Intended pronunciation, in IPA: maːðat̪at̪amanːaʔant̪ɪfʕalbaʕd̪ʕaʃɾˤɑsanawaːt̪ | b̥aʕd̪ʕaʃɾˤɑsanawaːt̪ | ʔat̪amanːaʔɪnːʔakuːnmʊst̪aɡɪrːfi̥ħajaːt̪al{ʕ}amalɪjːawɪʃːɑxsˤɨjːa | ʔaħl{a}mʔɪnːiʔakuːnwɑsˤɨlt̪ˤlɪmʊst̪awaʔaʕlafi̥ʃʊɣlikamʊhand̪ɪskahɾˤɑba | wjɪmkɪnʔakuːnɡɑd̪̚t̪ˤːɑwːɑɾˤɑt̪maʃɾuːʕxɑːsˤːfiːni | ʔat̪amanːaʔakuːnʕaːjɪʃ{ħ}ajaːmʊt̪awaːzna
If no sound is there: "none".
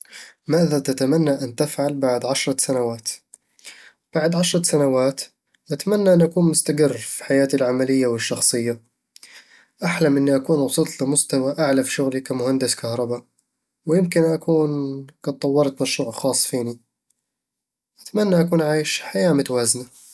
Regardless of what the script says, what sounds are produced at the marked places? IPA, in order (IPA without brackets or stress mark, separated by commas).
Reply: ʕ, a, ħ